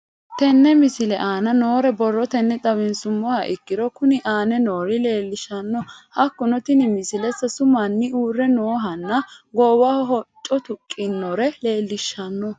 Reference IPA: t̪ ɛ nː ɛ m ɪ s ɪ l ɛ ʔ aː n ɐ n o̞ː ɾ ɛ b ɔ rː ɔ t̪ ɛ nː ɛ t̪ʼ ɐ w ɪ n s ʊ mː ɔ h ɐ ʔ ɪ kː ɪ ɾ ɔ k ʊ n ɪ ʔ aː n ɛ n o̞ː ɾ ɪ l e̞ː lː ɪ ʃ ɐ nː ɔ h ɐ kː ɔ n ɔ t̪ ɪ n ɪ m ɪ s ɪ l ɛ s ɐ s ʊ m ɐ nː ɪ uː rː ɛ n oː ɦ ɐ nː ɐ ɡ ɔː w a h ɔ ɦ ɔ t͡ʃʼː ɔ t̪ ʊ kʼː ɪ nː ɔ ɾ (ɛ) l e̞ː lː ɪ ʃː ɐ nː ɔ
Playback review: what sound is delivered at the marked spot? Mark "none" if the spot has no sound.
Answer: ɛ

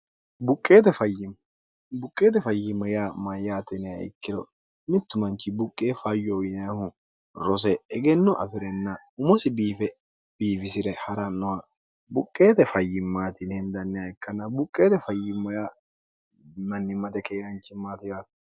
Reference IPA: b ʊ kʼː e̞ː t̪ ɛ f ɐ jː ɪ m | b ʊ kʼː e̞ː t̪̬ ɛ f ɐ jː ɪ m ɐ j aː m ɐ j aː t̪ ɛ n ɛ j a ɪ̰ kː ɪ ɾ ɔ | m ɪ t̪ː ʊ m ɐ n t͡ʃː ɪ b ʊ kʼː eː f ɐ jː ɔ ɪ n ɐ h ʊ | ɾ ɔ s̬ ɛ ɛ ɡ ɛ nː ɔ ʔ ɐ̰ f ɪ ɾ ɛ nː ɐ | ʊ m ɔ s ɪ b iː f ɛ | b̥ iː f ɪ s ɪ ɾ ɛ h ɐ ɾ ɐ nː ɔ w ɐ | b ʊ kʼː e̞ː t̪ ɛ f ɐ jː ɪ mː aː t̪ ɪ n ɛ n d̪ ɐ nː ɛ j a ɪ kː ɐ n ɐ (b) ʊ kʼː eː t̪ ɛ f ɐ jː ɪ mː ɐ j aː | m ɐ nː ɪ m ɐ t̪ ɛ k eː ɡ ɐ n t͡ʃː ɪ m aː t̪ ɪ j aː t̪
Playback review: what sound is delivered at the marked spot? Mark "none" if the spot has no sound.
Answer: b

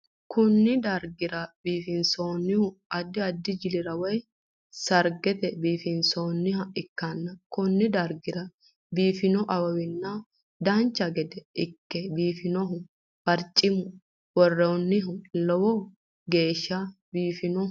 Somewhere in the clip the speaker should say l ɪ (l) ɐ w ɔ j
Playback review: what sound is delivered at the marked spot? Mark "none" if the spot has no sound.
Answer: ɾ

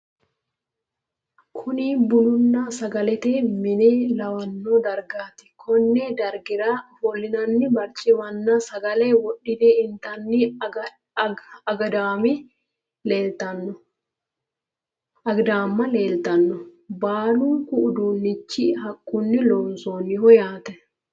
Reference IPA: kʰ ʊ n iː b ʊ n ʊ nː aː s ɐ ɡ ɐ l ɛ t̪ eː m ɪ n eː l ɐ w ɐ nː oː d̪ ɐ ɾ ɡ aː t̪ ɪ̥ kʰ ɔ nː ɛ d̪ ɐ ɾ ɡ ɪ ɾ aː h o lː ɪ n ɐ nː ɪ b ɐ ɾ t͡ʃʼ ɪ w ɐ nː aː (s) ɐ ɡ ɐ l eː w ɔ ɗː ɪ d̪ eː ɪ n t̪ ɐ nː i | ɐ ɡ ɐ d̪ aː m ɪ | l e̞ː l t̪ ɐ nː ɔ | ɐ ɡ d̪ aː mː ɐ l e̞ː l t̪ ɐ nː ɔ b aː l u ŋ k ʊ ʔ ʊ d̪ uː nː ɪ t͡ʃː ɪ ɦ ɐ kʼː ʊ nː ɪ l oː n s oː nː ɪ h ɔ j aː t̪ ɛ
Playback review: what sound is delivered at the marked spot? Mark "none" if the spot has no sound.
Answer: s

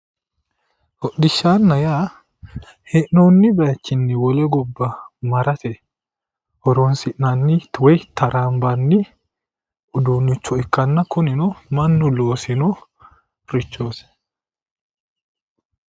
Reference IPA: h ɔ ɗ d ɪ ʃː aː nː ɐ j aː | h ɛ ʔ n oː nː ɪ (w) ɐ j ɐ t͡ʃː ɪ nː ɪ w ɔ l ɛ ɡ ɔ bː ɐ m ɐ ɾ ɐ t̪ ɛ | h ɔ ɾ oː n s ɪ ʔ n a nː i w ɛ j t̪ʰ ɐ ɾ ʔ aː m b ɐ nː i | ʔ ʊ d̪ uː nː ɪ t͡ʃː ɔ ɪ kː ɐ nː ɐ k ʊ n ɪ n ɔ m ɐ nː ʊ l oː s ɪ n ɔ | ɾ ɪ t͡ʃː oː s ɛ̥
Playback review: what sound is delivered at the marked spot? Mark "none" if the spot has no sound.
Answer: b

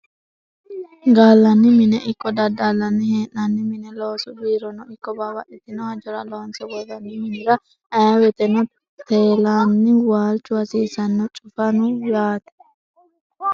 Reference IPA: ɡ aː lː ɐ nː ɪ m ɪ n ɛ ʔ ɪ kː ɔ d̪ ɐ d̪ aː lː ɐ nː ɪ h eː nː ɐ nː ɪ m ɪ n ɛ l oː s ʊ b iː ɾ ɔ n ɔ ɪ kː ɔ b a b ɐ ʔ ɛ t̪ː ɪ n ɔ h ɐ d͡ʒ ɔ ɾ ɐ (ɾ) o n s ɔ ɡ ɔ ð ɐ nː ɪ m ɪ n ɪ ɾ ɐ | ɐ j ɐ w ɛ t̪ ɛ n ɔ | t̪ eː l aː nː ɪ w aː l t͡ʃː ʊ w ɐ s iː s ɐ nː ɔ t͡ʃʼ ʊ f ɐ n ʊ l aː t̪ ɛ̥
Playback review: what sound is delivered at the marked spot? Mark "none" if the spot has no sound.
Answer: l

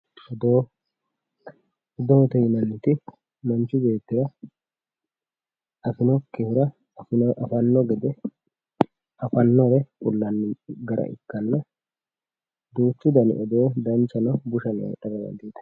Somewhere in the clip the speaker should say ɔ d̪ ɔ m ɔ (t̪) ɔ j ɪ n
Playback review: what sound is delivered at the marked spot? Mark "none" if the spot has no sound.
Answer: t̪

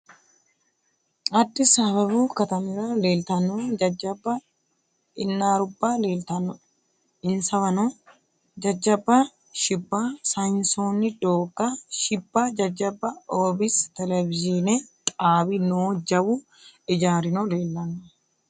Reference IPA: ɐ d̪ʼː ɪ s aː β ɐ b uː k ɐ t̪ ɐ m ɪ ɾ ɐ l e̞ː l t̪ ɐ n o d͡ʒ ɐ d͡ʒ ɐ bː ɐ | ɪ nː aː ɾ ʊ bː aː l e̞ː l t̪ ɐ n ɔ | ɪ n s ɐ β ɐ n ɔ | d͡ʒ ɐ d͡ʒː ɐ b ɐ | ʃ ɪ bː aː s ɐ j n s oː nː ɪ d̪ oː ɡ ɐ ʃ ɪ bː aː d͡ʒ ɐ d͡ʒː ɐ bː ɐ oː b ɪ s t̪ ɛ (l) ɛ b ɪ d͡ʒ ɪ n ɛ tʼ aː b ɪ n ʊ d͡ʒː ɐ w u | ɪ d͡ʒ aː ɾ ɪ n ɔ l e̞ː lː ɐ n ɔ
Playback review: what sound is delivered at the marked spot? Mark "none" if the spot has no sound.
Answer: l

